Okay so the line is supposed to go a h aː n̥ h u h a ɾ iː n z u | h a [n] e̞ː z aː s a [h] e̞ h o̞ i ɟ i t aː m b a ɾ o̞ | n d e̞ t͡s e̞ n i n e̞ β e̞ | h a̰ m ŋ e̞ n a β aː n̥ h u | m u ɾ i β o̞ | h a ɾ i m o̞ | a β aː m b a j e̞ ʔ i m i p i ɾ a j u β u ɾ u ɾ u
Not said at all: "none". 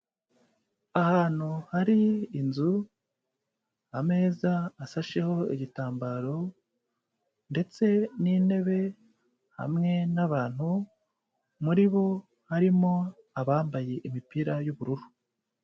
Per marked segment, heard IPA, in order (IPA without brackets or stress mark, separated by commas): m, ʃ